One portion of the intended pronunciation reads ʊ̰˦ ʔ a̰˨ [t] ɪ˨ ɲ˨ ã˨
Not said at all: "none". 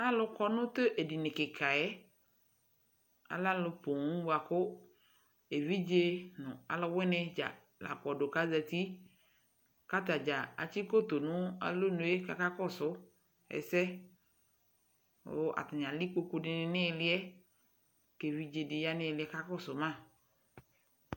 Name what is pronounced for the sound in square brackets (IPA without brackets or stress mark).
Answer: t